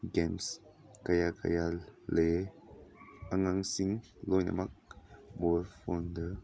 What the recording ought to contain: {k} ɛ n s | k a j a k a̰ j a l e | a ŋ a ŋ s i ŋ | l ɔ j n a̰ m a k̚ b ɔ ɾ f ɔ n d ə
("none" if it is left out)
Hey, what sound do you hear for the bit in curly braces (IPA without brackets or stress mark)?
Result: ɡ